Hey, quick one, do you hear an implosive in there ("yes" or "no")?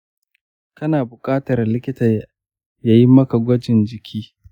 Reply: no